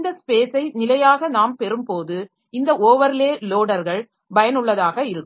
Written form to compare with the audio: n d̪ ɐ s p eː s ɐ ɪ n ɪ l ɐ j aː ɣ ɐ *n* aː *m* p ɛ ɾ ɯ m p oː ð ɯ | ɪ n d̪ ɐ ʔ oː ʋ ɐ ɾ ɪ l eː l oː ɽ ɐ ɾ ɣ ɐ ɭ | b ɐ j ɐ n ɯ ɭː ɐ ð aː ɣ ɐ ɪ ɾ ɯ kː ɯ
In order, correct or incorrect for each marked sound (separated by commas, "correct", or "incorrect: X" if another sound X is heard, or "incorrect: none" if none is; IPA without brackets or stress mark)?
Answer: correct, correct